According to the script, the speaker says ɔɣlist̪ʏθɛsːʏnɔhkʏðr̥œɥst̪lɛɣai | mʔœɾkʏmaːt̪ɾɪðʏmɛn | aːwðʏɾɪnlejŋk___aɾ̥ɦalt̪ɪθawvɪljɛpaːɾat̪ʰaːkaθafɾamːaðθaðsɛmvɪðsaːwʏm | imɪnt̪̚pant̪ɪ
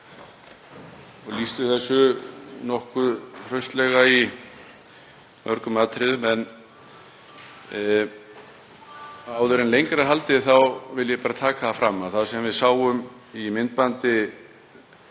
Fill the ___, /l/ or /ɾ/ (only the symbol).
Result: ɾ